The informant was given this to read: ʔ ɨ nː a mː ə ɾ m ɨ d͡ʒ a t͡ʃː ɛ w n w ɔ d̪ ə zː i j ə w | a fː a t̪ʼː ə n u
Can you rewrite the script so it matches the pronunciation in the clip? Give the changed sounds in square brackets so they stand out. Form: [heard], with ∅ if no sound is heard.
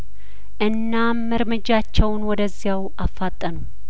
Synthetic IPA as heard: ʔ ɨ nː a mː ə ɾ m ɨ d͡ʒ a t͡ʃː ɛ w n w ɔ d̪ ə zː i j [a] w | a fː a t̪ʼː ə n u